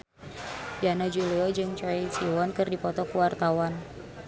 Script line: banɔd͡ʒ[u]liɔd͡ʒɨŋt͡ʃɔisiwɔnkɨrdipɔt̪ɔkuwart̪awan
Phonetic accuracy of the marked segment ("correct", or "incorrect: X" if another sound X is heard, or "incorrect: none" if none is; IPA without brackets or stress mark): correct